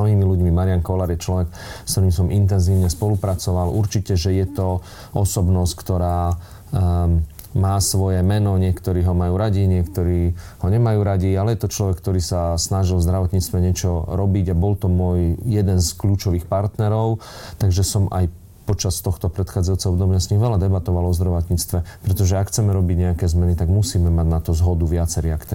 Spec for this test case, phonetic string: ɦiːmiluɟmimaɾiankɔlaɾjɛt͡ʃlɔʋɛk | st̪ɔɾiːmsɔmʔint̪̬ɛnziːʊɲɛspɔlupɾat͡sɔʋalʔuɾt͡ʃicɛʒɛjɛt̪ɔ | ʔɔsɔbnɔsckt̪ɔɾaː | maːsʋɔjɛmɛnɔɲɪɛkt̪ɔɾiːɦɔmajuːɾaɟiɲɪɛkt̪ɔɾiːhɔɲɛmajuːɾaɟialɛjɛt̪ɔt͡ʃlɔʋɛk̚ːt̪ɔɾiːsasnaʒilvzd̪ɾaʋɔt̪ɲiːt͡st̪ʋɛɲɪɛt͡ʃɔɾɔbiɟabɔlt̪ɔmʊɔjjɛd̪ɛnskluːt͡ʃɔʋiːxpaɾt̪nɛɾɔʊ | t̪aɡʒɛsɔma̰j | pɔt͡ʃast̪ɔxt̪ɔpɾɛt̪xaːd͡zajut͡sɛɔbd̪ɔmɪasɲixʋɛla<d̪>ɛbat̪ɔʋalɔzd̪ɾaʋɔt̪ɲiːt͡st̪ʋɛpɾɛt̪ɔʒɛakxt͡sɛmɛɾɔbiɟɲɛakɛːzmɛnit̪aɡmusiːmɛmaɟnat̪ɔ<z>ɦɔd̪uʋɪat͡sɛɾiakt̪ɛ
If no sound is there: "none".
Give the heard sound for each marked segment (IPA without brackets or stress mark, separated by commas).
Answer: d̪, z